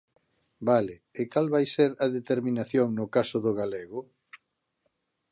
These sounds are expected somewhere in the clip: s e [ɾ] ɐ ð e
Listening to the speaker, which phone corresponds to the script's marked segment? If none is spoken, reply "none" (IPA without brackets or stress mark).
ɾ